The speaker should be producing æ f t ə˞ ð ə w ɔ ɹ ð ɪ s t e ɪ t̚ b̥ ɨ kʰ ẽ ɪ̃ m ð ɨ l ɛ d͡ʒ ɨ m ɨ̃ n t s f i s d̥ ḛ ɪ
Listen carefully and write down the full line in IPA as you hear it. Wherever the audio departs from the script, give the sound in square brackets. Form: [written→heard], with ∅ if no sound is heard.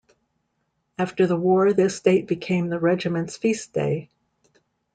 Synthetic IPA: æ f t ə˞ ð ə w ɔ ɹ ð ɪ s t e ɪ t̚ b̥ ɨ kʰ ẽ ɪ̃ m ð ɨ [l→ɹ] ɛ d͡ʒ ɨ m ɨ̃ n t s f i s d̥ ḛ ɪ